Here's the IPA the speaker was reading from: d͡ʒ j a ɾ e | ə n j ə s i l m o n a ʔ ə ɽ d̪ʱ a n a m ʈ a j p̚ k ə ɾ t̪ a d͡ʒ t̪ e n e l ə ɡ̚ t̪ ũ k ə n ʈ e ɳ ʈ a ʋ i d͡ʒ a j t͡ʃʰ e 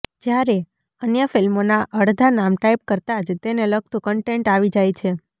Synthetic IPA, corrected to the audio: d͡ʒ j a ɾ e | ə n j ə f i l m o n a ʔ ə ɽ d̪ʱ a n a m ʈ a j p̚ k ə ɾ t̪ a d͡ʒ t̪ e n e l ə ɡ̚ t̪ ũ k ə ɳ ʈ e ɳ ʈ a ʋ i d͡ʒ a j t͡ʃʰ e